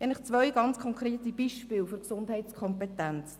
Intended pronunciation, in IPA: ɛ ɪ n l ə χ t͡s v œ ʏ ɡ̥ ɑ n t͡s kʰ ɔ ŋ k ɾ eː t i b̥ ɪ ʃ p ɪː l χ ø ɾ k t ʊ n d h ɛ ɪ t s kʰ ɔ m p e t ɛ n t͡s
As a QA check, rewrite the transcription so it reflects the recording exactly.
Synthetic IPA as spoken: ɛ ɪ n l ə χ t͡s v œ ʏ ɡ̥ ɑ n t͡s kʰ ɔ ŋ k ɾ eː t i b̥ i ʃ p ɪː l f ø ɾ k s ʊ n d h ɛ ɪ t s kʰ ɔ m p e t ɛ n t͡s

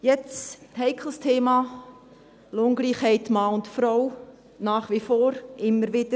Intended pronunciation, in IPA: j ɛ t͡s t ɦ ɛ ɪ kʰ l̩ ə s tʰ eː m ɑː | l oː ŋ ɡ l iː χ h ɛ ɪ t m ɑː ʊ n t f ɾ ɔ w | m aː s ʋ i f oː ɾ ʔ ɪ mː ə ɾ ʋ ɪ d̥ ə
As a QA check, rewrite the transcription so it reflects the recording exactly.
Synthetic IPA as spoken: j ɛ t͡s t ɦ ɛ ɪ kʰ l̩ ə s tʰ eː m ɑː | l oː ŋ ɡ l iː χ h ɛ ɪ t m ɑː ʊ n t f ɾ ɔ w | n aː χ ʋ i f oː ɾ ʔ ɪ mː ə ɾ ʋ ɪ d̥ ə

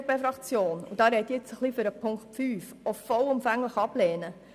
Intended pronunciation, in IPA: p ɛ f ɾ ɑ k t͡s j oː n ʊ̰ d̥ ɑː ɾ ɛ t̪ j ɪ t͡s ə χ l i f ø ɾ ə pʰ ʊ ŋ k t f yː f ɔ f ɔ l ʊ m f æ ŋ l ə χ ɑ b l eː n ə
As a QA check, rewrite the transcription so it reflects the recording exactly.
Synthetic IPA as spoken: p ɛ f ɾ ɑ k t͡s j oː n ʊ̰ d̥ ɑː ɾ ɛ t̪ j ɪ t͡s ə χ l i f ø ɾ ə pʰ ʊ ŋ k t f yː f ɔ f ɔ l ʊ m f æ ŋ l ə χ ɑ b l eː n ə

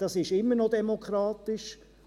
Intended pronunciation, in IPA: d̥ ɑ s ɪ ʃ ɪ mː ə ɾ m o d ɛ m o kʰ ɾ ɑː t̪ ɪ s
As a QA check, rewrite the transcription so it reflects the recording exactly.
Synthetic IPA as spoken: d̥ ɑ s ɪ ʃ ɪ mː ə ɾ n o d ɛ m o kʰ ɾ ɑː t̪ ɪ ʃ

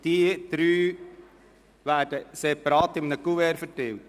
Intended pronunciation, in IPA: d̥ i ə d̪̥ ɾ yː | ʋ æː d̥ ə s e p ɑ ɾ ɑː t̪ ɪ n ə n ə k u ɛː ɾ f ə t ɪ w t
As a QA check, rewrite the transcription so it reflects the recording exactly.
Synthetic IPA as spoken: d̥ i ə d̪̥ ɾ yː | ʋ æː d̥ ə s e p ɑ ɾ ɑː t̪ ɪ m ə n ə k u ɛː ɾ f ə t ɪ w t

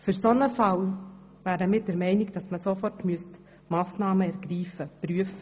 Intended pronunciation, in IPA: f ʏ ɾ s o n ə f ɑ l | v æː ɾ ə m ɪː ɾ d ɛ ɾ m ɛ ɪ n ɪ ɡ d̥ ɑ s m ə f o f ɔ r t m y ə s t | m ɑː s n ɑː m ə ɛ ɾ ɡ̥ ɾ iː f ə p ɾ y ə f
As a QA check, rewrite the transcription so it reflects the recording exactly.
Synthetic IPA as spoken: f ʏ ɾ s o n ə f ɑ l | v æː ɾ ə m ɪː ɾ d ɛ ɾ m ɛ ɪ n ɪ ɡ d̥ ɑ s m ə s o f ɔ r t m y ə s t | m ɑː s n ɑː m ə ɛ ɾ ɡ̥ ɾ iː f ə p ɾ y ə f

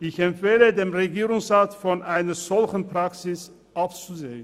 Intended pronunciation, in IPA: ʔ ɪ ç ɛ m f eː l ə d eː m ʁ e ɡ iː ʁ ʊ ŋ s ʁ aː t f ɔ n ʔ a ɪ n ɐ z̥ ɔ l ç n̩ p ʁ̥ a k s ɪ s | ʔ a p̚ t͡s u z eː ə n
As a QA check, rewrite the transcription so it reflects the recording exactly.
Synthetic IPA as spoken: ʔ ɪ ç ɛ m f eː l ə d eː m ʁ e ɡ iː ʁ ʊ ŋ s ʁ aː t f ɔ n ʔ a ɪ n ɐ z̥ ɔ l ç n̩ p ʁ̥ a k s ɪ s | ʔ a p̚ t͡s u z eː ə n

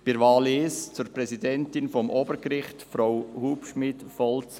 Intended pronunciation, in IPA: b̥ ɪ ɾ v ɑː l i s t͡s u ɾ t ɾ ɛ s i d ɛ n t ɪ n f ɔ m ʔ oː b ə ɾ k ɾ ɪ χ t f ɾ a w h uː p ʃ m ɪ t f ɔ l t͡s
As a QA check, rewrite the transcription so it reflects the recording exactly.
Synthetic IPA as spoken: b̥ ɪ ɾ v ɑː l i s t͡s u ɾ p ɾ ɛ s i d ɛ n t ɪ n f ɔ m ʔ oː b ə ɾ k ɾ ɪ χ t f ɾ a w h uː p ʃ m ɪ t f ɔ l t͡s

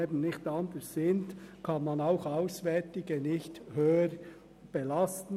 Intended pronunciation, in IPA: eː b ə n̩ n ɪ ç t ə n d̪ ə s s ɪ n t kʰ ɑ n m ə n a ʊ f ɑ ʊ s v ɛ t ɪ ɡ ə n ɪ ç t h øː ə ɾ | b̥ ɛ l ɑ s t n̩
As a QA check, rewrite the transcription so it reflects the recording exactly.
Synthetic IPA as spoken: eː b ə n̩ n ɪ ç t ɑ n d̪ ə s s ɪ n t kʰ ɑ n m ɑ n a ʊ x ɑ ʊ s v ɛ t ɪ ɡ ə n ɪ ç t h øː ə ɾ | b̥ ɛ l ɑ s t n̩

